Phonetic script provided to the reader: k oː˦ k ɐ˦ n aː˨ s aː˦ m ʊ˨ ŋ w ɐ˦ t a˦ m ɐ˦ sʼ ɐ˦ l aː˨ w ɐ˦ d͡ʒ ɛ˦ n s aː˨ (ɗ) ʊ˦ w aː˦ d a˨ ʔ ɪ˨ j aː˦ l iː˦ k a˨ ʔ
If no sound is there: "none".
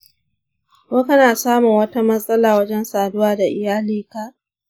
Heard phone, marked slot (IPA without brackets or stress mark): d